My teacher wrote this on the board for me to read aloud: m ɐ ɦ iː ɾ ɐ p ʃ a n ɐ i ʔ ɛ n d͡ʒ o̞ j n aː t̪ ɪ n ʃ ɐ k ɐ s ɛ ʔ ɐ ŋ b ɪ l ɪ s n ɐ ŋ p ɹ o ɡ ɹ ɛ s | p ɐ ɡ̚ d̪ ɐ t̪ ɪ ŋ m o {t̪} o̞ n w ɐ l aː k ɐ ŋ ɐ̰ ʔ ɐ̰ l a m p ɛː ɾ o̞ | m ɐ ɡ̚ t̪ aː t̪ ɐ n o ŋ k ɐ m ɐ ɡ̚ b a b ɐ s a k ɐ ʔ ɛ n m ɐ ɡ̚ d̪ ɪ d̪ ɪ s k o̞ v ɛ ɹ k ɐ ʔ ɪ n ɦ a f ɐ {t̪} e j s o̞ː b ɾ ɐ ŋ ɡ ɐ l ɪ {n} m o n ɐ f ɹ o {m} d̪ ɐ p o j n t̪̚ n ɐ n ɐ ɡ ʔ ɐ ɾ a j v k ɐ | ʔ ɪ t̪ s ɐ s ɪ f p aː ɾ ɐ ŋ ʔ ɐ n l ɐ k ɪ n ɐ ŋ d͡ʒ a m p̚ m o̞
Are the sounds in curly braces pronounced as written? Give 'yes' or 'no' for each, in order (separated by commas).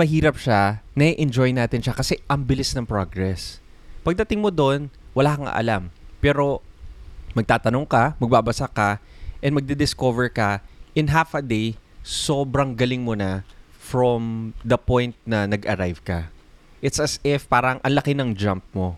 no, no, no, yes